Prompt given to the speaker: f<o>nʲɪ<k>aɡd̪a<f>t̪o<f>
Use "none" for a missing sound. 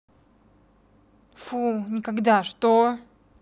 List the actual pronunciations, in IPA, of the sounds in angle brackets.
u, k, ʂ, none

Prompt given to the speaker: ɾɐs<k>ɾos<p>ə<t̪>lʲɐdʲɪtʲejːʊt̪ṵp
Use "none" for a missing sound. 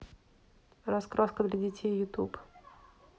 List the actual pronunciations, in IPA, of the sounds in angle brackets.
k, k, d̪

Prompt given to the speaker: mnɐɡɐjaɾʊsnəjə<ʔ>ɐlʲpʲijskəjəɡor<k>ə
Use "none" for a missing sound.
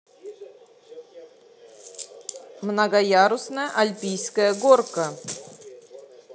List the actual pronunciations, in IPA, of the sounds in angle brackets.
ʔ, k

